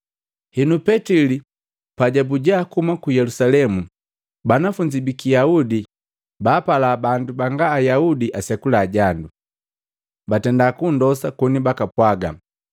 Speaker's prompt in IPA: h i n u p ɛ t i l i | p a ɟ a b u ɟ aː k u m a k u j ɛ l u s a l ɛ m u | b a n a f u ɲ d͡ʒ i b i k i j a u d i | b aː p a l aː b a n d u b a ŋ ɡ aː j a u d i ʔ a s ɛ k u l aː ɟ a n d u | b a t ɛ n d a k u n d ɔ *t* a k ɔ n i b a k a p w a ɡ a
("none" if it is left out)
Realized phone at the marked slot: s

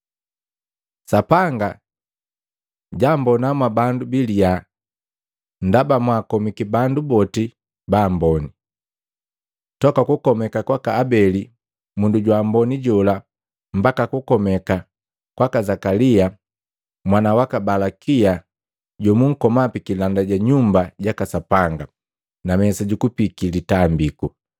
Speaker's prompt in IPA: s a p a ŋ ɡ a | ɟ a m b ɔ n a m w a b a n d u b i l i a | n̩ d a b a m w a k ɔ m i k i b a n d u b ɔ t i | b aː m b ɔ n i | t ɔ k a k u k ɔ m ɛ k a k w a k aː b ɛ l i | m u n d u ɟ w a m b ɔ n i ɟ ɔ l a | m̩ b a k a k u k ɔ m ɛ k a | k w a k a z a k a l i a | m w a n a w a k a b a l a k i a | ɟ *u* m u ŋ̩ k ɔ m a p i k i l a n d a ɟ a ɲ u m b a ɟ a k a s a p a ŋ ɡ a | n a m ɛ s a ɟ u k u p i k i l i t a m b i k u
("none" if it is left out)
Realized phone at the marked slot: ɔ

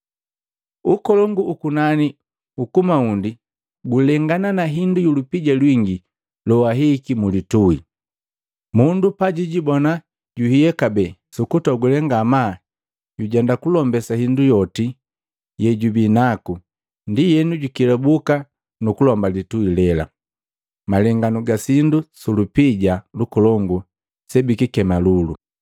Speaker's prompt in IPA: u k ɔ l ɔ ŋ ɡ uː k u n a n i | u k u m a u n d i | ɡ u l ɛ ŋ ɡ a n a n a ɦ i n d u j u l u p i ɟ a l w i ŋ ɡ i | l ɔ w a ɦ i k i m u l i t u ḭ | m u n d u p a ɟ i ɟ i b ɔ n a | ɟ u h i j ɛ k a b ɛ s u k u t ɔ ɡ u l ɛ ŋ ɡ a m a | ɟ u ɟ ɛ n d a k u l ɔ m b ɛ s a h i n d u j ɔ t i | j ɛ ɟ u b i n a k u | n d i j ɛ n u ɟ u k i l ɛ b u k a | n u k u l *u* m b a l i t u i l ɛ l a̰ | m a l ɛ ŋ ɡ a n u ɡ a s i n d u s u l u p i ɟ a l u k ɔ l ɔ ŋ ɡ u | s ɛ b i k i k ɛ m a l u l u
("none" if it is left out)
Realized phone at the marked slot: ɔ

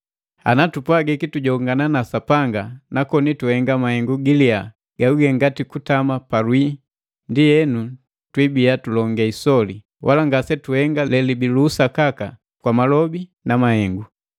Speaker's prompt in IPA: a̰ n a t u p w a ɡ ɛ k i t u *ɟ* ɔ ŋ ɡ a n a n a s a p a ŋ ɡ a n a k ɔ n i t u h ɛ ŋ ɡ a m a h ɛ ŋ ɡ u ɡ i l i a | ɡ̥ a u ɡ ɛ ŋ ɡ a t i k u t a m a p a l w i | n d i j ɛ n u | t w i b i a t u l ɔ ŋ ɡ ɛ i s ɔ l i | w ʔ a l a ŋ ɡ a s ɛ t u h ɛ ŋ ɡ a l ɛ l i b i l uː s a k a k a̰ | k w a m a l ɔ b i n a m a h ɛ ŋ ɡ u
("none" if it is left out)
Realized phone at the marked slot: ɟ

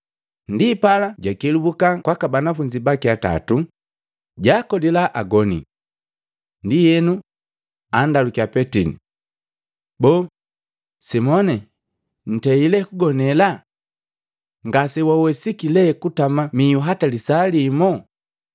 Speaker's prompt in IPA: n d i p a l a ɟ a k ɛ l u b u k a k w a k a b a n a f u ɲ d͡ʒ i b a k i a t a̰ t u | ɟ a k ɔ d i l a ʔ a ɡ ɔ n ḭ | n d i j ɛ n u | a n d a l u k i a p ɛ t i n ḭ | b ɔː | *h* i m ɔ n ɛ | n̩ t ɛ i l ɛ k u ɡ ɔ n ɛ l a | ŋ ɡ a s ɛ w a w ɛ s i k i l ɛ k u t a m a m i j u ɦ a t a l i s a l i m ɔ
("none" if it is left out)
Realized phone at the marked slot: s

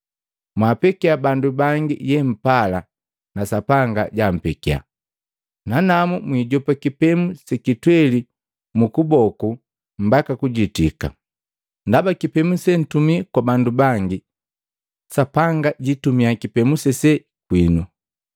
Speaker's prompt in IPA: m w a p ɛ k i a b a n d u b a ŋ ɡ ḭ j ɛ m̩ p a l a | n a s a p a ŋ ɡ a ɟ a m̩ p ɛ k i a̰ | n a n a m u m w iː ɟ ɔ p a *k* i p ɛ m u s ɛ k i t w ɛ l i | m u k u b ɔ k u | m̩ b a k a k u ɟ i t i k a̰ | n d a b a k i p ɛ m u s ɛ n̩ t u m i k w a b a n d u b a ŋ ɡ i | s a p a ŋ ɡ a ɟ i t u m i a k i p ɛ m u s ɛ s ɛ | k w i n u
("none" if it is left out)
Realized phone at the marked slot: k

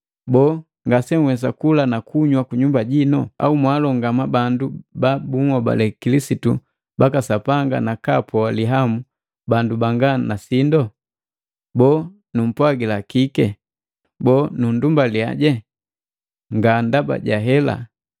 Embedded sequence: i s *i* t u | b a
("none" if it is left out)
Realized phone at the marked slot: i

